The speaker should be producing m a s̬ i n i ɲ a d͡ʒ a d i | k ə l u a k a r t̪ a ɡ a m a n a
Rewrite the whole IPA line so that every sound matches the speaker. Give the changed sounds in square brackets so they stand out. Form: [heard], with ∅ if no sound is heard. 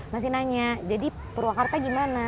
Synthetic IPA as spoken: m a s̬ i n [a] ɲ a d͡ʒ a d i | [p] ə [ɾ] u a k a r t̪ a ɡ [i] m a n a